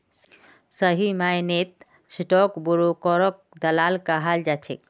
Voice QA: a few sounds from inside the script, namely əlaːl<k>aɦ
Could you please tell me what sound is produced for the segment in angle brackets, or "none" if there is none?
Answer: k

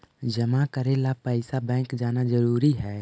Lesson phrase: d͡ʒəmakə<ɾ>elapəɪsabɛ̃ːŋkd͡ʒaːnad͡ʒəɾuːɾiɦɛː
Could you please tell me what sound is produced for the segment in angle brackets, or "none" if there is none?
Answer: ɾ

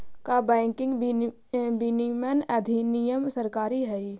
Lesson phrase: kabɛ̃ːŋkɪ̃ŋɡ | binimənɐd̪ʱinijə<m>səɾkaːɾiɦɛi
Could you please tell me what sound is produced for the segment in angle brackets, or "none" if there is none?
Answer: m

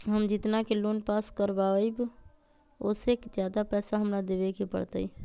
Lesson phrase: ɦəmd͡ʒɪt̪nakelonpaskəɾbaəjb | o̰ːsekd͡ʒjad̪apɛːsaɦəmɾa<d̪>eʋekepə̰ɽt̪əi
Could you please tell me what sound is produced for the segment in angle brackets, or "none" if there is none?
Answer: d̪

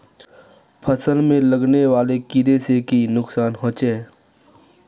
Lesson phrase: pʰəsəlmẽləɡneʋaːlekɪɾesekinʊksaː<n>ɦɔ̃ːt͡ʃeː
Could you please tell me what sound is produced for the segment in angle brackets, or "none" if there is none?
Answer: n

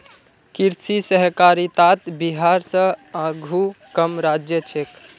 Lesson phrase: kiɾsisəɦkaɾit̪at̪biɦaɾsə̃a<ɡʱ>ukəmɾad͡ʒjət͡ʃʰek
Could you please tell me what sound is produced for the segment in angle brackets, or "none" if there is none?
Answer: ɡʱ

